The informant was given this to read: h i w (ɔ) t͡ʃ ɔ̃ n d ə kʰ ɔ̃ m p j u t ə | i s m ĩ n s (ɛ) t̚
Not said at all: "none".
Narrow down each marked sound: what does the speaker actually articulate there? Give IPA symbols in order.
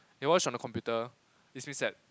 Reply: ɔ, ɛ

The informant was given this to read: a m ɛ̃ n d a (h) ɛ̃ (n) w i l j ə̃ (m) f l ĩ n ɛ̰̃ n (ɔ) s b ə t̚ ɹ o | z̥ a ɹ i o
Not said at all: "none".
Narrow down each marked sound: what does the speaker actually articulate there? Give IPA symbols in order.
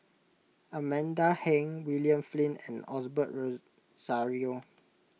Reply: h, ŋ, m, ɔ

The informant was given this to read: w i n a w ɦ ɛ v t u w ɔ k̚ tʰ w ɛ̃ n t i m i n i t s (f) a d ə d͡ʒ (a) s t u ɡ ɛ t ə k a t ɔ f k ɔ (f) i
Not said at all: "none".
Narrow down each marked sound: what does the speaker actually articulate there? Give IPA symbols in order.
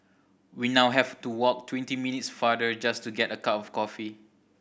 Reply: f, a, f

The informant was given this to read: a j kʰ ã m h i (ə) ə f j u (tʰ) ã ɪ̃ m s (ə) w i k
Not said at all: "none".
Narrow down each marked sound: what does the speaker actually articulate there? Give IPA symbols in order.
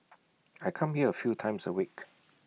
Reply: ə, tʰ, ə

